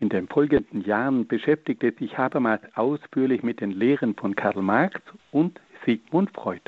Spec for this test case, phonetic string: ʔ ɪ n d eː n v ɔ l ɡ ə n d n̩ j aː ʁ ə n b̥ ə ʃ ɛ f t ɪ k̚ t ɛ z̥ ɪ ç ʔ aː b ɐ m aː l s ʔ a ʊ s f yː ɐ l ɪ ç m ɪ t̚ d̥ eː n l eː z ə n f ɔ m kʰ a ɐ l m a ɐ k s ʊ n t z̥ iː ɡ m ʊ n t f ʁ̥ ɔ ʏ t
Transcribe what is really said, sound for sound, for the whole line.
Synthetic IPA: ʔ ɪ n d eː n f ɔ l ɡ ə n d n̩ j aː ʁ ə n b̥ ə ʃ ɛ f t ɪ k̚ t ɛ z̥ ɪ ç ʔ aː b ɐ m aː l s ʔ a ʊ s f yː ɐ l ɪ ç m ɪ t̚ d̥ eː n l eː ʁ ə n f ɔ n kʰ a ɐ l m a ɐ k s ʊ n t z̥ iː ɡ m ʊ n t f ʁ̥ ɔ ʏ t